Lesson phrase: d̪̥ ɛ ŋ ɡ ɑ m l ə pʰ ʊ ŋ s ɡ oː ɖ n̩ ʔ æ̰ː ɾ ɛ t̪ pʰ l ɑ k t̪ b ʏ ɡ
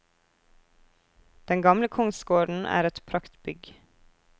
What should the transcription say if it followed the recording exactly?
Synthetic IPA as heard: d̪̥ ɛ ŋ ɡ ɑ m l ə kʰ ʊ ŋ s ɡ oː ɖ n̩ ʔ æ̰ː ɾ ɛ t̪ pʰ ɾ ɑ k t̪ b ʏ ɡ